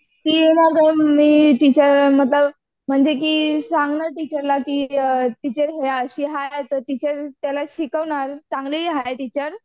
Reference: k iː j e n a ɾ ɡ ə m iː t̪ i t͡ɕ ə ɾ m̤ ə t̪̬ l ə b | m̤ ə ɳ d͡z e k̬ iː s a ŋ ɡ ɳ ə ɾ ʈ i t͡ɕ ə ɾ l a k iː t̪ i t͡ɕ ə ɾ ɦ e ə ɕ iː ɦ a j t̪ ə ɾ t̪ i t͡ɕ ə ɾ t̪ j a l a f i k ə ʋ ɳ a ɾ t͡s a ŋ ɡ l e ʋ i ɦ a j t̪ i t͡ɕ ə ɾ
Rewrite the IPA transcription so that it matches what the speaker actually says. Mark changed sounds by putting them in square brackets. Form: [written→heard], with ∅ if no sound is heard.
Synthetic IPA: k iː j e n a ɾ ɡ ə m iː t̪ i t͡ɕ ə ɾ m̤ ə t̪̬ l ə b | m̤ ə ɳ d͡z e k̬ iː s a ŋ ɡ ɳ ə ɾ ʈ i t͡ɕ ə ɾ l a k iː t̪ i t͡ɕ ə ɾ ɦ e ə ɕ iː ɦ a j t̪ ə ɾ t̪ i t͡ɕ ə ɾ t̪ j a l a [f→ɕ] i k ə ʋ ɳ a ɾ t͡s a ŋ ɡ l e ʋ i ɦ a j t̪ i t͡ɕ ə ɾ

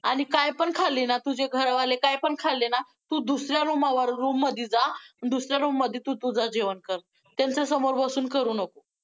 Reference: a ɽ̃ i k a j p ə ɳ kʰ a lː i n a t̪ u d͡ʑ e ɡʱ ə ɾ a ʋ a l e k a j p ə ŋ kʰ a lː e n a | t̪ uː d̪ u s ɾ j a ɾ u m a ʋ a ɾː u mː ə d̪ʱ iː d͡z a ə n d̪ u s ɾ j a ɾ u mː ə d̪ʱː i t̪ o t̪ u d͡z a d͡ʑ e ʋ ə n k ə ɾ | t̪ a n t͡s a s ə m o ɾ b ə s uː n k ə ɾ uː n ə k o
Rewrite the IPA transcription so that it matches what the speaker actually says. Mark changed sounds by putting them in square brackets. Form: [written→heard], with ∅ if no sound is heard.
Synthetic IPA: a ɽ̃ i k a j p ə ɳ kʰ a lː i n a t̪ u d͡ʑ e ɡʱ ə ɾ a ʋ a l e k a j p ə [ŋ→ɳ] kʰ a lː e n a | t̪ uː d̪ u s ɾ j a ɾ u m a ʋ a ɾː u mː ə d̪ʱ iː d͡z a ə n d̪ u s ɾ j a ɾ u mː ə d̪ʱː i t̪ [o→u] t̪ u d͡z a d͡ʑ e ʋ ə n k ə ɾ | t̪ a n t͡s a s ə m o ɾ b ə s uː n k ə ɾ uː n ə k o

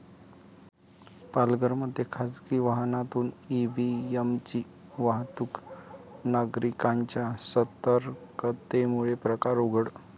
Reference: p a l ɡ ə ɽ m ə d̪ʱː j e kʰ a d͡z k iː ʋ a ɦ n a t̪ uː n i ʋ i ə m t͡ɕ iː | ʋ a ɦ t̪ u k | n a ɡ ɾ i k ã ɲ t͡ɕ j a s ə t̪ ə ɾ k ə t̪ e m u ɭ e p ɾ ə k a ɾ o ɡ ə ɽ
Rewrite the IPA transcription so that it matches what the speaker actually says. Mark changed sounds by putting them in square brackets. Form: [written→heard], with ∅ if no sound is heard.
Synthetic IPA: p a l ɡ ə [ɽ→ɾ] m ə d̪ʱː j e kʰ a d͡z k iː ʋ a ɦ n a t̪ uː n i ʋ i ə m t͡ɕ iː | ʋ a ɦ t̪ u k | n a ɡ ɾ i k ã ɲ t͡ɕ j a s ə t̪ ə ɾ k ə t̪ e m u ɭ e p ɾ ə k a ɾ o ɡ ə ɽ

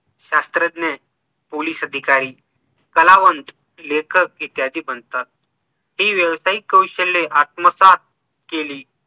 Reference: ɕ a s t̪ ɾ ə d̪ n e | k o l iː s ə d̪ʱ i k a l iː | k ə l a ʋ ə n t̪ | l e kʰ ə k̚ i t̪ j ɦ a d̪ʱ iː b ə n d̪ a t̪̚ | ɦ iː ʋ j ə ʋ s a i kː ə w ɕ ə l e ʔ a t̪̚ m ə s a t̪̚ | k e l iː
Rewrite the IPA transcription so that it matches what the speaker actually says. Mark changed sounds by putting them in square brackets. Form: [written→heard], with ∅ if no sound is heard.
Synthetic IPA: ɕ a s t̪ ɾ ə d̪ n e | [k→p] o l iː s ə d̪ʱ i k a [l→ɾ] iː | k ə l a ʋ ə n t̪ | l e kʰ ə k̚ i t̪ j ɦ a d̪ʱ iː b ə n [d̪→t̪] a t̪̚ | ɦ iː ʋ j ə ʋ s a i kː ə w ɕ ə l e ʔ a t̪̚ m ə s a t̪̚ | k e l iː

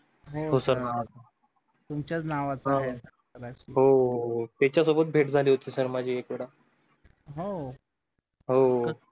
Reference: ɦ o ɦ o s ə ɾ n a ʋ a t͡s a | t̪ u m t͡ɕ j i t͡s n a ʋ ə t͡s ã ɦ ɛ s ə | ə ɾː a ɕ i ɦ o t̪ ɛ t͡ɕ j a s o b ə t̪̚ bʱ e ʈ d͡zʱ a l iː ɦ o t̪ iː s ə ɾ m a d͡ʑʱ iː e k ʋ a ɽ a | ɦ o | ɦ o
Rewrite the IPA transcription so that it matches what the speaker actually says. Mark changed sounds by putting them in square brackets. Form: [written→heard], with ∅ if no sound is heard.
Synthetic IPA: ɦ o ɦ o s ə ɾ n a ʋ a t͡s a | t̪ u m t͡ɕ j [i→a] t͡s n a ʋ [ə→a] t͡s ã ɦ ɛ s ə | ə [ɾː→ɾ] a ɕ i ɦ o t̪ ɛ t͡ɕ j a s o b ə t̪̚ bʱ e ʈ d͡zʱ a l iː ɦ o t̪ iː s ə ɾ m a d͡ʑʱ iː e k ʋ [a→e] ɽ a | ɦ o | ɦ o

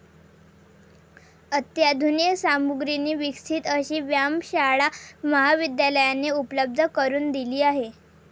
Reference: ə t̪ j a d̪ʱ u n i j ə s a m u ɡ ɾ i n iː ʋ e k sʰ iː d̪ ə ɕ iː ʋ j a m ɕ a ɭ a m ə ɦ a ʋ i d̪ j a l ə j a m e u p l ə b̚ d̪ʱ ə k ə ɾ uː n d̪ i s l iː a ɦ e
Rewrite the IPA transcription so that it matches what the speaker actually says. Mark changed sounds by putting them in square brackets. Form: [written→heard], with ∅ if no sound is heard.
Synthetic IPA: ə t̪ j a d̪ʱ u n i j ə s a m u ɡ ɾ i n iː ʋ [e→i] k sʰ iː [d̪→t̪] ə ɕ iː ʋ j a m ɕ a ɭ a m ə ɦ a ʋ i d̪ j a l ə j a [m→n] e u p l ə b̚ d̪ʱ ə k ə ɾ uː n d̪ i [s→∅] l iː a ɦ e

